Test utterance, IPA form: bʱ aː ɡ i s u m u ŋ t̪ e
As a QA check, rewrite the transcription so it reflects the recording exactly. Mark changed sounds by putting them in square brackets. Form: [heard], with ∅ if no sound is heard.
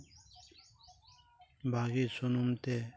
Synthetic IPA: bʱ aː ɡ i s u [n] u [m] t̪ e